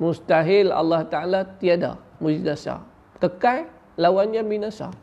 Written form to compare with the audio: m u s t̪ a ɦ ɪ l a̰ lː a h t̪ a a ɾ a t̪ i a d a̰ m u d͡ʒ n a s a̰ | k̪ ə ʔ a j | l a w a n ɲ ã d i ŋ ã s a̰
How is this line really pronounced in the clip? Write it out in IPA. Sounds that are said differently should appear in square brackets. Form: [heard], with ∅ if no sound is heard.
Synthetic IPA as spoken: m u s t̪ a ɦ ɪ l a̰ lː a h t̪ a a [l] a t̪ i a d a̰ m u d͡ʒ n a s a̰ | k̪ ə [k] a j | l a w a n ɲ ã [b] i [n] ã s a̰